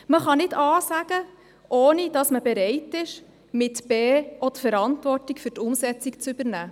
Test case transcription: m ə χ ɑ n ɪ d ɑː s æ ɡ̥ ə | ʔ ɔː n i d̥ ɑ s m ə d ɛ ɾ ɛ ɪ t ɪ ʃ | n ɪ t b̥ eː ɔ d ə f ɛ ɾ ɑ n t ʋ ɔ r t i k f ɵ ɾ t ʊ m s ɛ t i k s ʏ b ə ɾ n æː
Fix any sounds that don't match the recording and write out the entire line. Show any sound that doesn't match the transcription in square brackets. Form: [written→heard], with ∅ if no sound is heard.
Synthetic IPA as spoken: m ə χ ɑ n ɪ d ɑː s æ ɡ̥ ə | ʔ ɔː n i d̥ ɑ s m ə [d→b] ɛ ɾ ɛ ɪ t ɪ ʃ | [n→m] ɪ t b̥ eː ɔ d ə f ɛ ɾ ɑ n t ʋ ɔ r t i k f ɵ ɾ t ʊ m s ɛ [t→t͡s] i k [s→t͡s] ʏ b ə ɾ n æː